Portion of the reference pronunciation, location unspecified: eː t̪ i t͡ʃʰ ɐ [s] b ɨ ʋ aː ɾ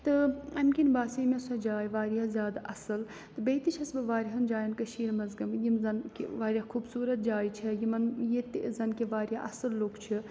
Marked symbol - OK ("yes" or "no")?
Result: yes